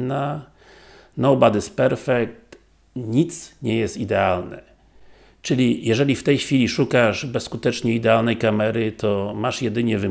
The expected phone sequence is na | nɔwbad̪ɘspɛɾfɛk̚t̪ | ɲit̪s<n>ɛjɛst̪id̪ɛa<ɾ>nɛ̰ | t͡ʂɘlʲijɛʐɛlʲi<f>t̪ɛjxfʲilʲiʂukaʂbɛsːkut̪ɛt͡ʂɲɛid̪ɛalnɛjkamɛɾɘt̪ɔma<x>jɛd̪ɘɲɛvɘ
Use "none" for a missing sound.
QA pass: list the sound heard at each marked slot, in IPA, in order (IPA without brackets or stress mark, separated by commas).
ɲ, l, f, ʂ